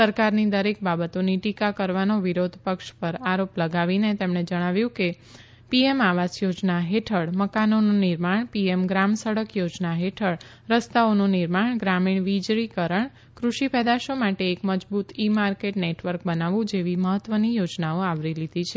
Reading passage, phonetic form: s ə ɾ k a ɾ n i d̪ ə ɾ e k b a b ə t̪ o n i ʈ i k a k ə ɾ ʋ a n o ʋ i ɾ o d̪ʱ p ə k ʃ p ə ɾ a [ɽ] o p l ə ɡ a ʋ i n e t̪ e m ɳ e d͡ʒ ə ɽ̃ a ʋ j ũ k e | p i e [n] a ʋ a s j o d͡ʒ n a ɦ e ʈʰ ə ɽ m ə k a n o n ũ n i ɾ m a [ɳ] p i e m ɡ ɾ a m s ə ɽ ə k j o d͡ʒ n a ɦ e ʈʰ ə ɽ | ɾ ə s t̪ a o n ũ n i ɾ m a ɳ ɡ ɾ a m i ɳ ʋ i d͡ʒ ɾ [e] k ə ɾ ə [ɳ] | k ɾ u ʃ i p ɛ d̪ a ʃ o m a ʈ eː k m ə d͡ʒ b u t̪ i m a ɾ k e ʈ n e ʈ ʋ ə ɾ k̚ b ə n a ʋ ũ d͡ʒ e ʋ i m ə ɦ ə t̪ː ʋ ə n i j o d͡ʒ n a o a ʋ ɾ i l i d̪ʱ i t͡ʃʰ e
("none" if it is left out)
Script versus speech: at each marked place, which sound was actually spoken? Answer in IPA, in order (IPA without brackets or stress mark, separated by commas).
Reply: ɾ, m, ɳ, i, ɳ